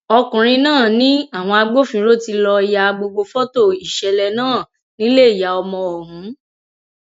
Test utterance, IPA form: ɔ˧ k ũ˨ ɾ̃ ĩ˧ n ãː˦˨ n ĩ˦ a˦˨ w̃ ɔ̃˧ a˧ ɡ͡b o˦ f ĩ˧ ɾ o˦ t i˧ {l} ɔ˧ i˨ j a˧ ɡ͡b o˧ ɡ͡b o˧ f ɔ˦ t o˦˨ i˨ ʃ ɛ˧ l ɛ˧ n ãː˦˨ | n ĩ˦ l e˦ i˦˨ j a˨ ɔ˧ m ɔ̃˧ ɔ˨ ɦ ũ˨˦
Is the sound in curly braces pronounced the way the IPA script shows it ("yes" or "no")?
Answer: yes